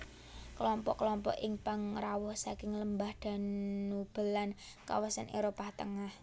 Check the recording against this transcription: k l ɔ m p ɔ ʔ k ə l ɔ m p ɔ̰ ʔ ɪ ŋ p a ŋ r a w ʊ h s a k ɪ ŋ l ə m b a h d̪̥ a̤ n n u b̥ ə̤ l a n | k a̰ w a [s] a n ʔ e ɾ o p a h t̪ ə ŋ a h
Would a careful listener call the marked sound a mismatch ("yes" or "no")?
no